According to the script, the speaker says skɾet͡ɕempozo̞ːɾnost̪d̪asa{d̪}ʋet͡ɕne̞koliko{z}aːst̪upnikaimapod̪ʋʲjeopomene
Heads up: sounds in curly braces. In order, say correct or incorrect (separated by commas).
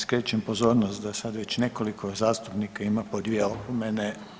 correct, correct